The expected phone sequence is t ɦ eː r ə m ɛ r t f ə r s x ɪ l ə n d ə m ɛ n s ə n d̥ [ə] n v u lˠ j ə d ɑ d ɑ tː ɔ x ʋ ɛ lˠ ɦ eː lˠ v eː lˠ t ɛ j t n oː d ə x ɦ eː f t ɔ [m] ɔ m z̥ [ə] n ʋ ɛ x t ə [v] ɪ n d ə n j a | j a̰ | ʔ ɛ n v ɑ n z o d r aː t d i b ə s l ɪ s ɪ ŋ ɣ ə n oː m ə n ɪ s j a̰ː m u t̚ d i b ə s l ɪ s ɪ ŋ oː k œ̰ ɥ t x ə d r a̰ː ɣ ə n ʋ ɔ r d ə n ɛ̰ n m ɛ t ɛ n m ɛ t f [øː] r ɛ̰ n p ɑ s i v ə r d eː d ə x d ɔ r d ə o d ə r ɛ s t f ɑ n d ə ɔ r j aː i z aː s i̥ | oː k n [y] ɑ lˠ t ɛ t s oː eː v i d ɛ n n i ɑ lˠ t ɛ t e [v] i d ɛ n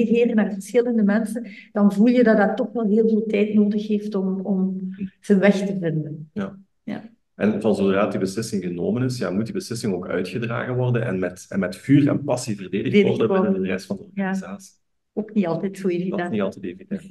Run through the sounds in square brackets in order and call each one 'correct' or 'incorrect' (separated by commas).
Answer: incorrect, correct, correct, correct, incorrect, incorrect, correct